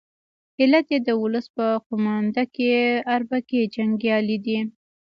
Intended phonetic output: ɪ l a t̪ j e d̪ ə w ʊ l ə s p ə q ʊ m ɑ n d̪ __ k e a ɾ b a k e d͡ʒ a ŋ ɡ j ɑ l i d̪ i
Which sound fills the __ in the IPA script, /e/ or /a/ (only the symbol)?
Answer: a